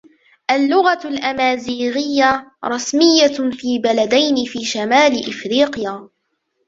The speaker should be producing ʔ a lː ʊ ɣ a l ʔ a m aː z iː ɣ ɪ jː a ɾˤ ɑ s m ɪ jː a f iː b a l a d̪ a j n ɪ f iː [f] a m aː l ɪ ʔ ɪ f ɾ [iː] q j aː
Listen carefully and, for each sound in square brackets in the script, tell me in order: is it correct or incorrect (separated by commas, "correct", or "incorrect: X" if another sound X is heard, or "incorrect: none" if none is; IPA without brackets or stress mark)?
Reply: incorrect: ʃ, correct